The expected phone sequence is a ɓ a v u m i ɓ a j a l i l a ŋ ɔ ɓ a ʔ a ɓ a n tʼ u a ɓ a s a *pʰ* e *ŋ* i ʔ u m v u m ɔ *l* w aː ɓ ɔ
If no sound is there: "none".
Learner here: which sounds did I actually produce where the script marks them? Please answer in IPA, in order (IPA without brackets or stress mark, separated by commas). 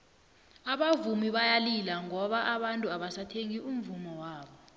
tʰ, ŋ, none